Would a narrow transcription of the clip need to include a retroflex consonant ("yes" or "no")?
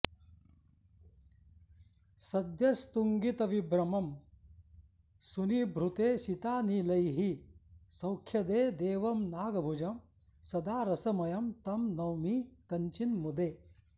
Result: no